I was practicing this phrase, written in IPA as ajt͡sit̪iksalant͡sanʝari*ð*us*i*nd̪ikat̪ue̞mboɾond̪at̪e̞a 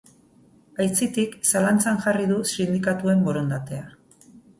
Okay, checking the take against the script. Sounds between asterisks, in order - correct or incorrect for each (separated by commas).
correct, correct